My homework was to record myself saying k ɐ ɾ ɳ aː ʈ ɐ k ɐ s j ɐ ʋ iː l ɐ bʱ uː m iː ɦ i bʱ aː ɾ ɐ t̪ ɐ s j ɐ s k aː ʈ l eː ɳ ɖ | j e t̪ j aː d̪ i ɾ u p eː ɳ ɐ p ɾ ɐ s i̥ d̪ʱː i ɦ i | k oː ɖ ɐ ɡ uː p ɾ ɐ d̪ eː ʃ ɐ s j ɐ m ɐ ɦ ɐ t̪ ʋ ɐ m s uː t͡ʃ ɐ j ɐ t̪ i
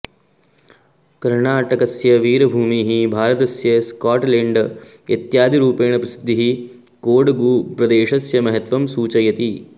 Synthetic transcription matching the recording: k ɐ ɾ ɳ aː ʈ ɐ k ɐ s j ɐ ʋ iː ɾ ɐ bʱ uː m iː ɦ i bʱ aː ɾ ɐ t̪ ɐ s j ɐ s k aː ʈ l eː ɳ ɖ | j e t̪ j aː d̪ i ɾ uː p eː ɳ ɐ p ɾ ɐ s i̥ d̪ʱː i ɦ i | k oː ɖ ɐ ɡ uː p ɾ ɐ d̪ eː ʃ ɐ s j ɐ m ɐ ɦ ɐ t̪ ʋ ɐ m s uː t͡ʃ ɐ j ɐ t̪ i

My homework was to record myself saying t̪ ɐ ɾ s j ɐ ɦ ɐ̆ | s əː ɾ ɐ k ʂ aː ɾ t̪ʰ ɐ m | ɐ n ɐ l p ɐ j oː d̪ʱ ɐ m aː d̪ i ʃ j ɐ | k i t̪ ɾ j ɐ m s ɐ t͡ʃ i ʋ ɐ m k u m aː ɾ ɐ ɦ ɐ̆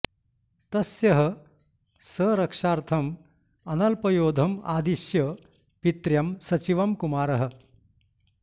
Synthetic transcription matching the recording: t̪ ɐ s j ɐ ɦ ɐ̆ | s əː ɾ ɐ k ʂ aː ɾ t̪ʰ ɐ m | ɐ n ɐ l p ɐ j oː d̪ʱ ɐ m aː d̪ i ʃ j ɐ | p i t̪ ɾ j ɐ m s ɐ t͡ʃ i ʋ ɐ m k u m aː ɾ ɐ ɦ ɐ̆

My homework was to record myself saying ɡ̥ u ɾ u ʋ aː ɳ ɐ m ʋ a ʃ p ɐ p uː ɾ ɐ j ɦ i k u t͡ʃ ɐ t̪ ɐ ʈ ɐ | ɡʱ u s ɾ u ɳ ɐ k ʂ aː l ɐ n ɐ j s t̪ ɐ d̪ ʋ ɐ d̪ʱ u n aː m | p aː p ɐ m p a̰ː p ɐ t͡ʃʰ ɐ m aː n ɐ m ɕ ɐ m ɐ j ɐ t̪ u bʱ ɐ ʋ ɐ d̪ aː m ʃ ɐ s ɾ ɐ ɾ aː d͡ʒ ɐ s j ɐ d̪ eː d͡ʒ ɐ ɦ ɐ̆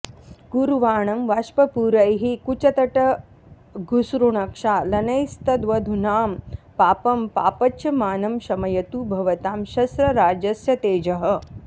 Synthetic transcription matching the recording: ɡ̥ u ɾ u ʋ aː ɳ ɐ m ʋ a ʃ p ɐ p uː ɾ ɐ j ɦ i k u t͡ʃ ɐ t̪ ɐ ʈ ɐ | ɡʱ u s ɾ u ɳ ɐ k ʂ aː l ɐ n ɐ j s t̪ ɐ d̪ ʋ ɐ d̪ʱ u n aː m | p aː p ɐ m p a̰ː p ɐ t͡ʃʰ ɐ m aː n ɐ m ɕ ɐ m ɐ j ɐ t̪ u bʱ ɐ ʋ ɐ t̪ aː m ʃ ɐ s ɾ ɐ ɾ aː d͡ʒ ɐ s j ɐ t̪ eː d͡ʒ ɐ ɦ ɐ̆

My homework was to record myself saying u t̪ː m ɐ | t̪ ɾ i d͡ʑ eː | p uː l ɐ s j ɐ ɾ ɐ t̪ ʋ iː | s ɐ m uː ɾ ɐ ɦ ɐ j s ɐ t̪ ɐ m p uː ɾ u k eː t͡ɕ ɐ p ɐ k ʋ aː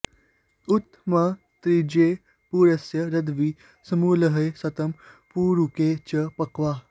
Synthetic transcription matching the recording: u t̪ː m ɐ | t̪ ɾ i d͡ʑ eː | p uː ɾ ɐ s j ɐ ɾ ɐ d̪ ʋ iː | s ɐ m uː l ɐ ɦ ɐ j s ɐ t̪ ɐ m p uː ɾ u k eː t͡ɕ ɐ p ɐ k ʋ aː

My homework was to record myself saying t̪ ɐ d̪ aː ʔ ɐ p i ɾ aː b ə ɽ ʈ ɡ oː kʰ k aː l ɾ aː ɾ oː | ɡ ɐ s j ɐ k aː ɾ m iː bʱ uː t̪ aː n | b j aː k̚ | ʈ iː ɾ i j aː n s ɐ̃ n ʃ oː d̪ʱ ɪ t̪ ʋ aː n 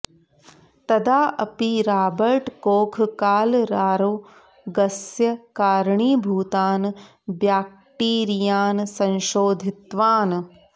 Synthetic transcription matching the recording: t̪ ɐ d̪ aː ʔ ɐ p i ɾ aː b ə ɾ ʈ k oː kʰ k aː l ɾ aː ɾ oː | ɡ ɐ s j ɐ k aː ɾ ɳ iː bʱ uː t̪ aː n | b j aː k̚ | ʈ iː ɾ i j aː n s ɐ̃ n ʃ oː d̪ʱ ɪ t̪ ʋ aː n

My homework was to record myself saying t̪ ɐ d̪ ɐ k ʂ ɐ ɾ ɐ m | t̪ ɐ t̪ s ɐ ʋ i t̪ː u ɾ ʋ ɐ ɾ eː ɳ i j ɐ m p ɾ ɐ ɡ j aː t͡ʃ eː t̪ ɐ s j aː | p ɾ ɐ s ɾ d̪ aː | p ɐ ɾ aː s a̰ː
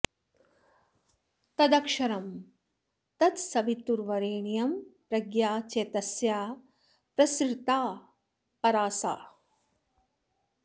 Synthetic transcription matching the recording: t̪ ɐ d̪ ɐ k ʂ ɐ ɾ ɐ m | t̪ ɐ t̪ s ɐ ʋ i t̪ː u ɾ ʋ ɐ ɾ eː ɳ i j ɐ m p ɾ ɐ ɡ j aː t͡ʃ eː t̪ ɐ s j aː | p ɾ ɐ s ɾ t̪ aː | p ɐ ɾ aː s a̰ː

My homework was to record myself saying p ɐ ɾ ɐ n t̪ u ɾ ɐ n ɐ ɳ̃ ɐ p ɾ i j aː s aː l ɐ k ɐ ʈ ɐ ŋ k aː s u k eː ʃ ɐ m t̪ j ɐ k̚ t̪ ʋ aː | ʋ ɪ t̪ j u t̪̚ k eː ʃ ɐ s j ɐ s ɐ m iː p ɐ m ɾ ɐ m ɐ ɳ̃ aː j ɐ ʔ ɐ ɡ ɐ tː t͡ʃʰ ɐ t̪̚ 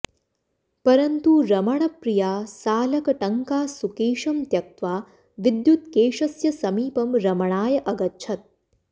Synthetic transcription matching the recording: p ɐ ɾ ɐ n t̪ u ɾ ɐ m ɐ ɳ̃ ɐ p ɾ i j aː s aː l ɐ k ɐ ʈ ɐ ŋ k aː s u k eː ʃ ɐ m t̪ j ɐ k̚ t̪ ʋ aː | ʋ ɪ d̪ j u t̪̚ k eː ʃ ɐ s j ɐ s ɐ m iː p ɐ m ɾ ɐ m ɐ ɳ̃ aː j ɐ ʔ ɐ ɡ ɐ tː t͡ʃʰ ɐ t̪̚

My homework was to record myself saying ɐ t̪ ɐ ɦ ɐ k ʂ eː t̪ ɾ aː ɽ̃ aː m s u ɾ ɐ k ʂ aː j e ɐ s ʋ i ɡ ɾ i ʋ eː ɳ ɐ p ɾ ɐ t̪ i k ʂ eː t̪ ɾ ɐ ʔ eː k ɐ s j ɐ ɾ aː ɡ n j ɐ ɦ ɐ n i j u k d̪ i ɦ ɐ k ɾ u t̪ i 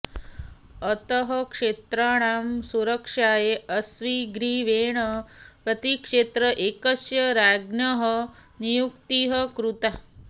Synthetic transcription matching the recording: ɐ t̪ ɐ ɦ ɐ k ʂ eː t̪ ɾ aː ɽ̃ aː m s u ɾ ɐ k ʂ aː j e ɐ s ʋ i ɡ ɾ i ʋ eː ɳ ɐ p ɾ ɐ t̪ i k ʂ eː t̪ ɾ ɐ ʔ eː k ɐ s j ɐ ɾ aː ɡ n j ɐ ɦ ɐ n i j u k t̪ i ɦ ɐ k ɾ u t̪ a

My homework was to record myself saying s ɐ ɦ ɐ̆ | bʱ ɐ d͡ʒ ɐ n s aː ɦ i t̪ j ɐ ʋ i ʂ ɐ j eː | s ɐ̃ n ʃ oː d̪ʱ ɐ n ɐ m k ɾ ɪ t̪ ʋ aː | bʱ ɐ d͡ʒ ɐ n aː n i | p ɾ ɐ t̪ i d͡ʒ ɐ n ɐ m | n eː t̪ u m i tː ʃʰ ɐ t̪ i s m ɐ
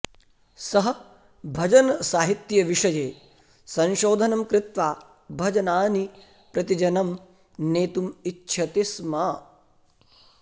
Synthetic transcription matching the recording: s ɐ ɦ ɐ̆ | bʱ ɐ d͡ʒ ɐ n s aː ɦ i t̪ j ɐ ʋ i ʂ ɐ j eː | s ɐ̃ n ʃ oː d̪ʱ ɐ n ɐ m k ɾ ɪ t̪ ʋ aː | bʱ ɐ d͡ʒ ɐ n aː n i | p ɾ ɐ t̪ i d͡ʒ ɐ n ɐ m | n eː t̪ u m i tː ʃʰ ɐ t̪ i s m ɐ

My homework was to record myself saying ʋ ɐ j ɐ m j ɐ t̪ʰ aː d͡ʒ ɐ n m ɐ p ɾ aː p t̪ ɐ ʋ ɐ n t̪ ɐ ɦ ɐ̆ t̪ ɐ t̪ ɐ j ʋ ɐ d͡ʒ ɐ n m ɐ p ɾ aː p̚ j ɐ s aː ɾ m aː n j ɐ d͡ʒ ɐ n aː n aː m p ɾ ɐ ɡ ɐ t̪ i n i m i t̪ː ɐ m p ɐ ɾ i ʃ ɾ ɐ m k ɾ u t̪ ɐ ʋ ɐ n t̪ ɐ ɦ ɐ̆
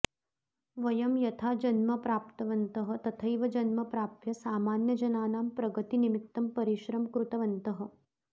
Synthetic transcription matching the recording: ʋ ɐ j ɐ m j ɐ t̪ʰ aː d͡ʒ ɐ n m ɐ p ɾ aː p t̪ ɐ ʋ ɐ n t̪ ɐ ɦ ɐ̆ t̪ ɐ t̪ʰ ɐ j ʋ ɐ d͡ʒ ɐ n m ɐ p ɾ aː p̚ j ɐ s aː m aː n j ɐ d͡ʒ ɐ n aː n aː m p ɾ ɐ ɡ ɐ t̪ i n i m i t̪ː ɐ m p ɐ ɾ i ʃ ɾ ɐ m k ɾ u t̪ ɐ ʋ ɐ n t̪ ɐ ɦ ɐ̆

